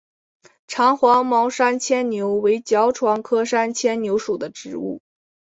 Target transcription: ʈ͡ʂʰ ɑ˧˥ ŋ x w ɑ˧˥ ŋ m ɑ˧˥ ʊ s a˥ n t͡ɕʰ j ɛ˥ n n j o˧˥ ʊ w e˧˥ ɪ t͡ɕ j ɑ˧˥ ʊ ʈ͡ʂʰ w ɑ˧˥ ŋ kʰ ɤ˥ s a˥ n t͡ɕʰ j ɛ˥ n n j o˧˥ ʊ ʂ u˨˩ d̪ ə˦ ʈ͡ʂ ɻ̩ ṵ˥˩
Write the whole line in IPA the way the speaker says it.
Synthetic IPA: ʈ͡ʂʰ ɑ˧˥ ŋ x w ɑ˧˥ ŋ m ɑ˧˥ ʊ ʂ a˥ n t͡ɕʰ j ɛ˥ n n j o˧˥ ʊ w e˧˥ ɪ t͡ɕ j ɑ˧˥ ʊ ʈ͡ʂʰ w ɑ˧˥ ŋ kʰ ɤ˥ ʂ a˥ n t͡ɕʰ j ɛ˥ n n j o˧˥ ʊ ʂ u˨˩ d̪ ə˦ ʈ͡ʂ ɻ̩ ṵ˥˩